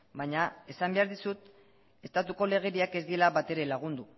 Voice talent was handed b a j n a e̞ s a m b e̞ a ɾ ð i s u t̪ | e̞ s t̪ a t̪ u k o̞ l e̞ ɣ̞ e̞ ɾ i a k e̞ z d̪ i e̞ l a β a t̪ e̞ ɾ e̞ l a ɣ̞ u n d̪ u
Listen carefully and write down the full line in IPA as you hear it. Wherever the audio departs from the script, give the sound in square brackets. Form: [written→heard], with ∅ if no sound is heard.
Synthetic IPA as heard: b a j [n→ɲ] a e̞ s a m b e̞ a ɾ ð i s u t̪ | e̞ s t̪ a t̪ u k o̞ l e̞ ɣ̞ e̞ ɾ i a k e̞ z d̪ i e̞ l a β a t̪ e̞ ɾ e̞ l a ɣ̞ u n d̪ u